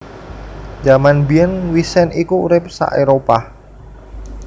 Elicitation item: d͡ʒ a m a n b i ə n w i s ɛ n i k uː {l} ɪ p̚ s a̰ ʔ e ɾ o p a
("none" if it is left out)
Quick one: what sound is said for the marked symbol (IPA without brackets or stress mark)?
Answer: ɾ